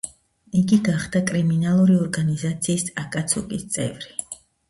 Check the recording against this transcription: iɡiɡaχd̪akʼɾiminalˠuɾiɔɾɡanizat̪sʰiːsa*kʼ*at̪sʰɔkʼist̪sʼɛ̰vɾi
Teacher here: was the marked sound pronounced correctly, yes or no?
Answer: yes